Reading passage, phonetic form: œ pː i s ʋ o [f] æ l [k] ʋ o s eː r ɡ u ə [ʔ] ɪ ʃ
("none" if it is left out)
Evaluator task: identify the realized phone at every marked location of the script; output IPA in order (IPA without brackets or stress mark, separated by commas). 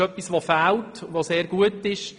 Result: f, t, t